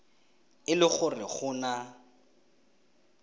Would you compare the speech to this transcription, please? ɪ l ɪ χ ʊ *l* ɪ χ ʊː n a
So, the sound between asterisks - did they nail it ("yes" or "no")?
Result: no